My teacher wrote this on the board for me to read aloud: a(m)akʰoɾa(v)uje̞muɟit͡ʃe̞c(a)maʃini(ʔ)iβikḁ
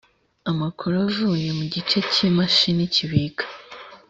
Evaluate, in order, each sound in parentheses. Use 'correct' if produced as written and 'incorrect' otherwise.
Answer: correct, correct, incorrect, incorrect

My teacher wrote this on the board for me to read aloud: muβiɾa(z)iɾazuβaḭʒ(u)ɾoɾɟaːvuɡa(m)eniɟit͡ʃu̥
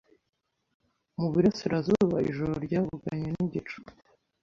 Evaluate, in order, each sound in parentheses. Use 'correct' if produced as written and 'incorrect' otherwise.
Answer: incorrect, incorrect, incorrect

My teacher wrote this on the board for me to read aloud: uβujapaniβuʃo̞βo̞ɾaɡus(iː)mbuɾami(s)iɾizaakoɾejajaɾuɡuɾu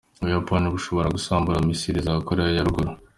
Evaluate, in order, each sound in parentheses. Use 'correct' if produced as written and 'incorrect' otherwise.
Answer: incorrect, correct

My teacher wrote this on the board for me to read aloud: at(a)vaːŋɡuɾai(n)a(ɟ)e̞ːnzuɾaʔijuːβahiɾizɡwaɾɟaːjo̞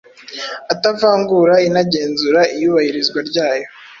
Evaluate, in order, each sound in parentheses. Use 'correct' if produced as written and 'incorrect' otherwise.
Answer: correct, correct, correct

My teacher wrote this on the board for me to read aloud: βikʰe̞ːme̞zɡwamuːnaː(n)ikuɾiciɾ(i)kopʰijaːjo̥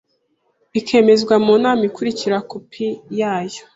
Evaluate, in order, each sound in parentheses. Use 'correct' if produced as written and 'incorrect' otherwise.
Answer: incorrect, incorrect

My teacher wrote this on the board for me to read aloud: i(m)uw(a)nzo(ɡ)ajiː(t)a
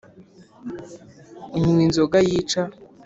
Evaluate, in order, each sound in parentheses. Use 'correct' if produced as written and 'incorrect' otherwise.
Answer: incorrect, incorrect, correct, incorrect

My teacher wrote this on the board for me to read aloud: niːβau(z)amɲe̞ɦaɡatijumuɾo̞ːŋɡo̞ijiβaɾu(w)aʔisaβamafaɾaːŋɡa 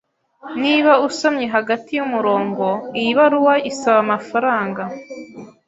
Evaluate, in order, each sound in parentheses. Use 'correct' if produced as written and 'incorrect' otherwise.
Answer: incorrect, correct

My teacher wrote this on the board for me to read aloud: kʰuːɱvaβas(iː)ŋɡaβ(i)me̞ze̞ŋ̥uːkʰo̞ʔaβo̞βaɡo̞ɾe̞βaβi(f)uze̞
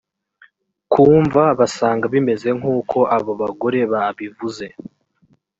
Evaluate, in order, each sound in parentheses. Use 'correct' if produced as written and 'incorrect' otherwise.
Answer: incorrect, correct, incorrect

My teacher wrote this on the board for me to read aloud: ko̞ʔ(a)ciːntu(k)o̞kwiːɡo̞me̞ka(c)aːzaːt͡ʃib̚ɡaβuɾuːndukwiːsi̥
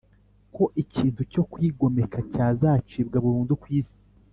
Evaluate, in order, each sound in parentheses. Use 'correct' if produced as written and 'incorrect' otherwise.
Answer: incorrect, incorrect, correct

